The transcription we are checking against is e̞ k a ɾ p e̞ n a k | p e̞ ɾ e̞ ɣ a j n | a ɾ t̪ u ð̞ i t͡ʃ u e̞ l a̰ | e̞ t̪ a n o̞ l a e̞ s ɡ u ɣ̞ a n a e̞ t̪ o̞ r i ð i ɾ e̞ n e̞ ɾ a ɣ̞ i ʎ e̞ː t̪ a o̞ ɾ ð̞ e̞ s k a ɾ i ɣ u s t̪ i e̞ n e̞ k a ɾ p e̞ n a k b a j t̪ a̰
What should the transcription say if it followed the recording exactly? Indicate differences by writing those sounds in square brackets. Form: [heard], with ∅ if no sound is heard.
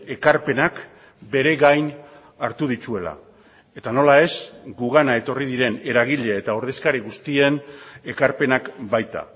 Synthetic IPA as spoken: e̞ k a ɾ p e̞ n a k | [b] e̞ ɾ e̞ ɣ a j n | a ɾ t̪ u ð̞ i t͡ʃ u e̞ l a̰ | e̞ t̪ a n o̞ l a e̞ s ɡ u ɣ̞ a n a e̞ t̪ o̞ r i ð i ɾ e̞ n e̞ ɾ a ɣ̞ i ʎ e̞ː t̪ a o̞ ɾ ð̞ e̞ s k a ɾ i ɣ u s t̪ i e̞ n e̞ k a ɾ p e̞ n a k b a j t̪ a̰